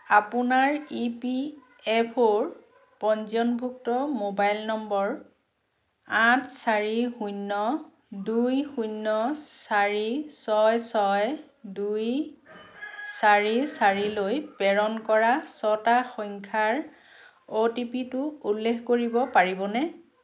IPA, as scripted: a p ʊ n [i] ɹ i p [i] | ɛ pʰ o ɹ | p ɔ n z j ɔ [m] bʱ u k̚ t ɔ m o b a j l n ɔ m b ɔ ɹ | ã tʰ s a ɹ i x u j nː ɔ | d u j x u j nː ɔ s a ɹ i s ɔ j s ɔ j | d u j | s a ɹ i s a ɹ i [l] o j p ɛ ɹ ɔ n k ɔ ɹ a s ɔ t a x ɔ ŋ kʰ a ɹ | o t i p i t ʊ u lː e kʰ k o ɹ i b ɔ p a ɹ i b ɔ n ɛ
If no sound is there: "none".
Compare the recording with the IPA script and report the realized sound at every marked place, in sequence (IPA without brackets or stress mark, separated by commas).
a, i, n, l